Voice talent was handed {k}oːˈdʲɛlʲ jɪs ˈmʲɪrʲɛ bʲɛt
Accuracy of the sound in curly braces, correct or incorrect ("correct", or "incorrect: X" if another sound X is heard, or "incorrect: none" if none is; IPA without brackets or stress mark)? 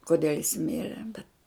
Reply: correct